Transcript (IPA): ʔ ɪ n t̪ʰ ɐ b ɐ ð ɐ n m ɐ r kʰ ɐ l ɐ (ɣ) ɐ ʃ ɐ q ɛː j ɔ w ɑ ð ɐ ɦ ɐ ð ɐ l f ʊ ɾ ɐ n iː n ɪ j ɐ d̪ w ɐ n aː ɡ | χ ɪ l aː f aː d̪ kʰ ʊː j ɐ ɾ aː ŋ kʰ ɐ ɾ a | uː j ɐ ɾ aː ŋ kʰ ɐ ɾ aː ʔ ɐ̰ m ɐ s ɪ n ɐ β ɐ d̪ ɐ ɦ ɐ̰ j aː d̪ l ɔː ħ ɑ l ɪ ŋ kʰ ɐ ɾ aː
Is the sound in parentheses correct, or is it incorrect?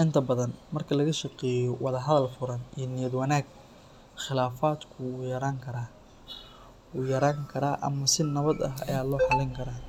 correct